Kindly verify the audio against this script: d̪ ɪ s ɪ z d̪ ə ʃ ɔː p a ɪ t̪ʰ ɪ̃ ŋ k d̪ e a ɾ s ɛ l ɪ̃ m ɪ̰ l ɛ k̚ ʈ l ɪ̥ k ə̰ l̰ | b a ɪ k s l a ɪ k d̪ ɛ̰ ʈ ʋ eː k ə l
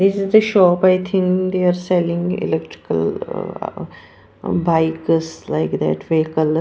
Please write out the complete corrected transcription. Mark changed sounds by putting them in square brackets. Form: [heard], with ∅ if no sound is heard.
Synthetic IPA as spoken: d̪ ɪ s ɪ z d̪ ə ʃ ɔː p a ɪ t̪ʰ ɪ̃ ŋ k d̪ e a ɾ s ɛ l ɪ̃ [ŋ] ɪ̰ l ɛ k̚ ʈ [ɾ] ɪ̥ k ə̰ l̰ | b a ɪ k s l a ɪ k d̪ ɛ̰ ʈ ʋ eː k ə l